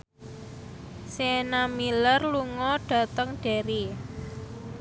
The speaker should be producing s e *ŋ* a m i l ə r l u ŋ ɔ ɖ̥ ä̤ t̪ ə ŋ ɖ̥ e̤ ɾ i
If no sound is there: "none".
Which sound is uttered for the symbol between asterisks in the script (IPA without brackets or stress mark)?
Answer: n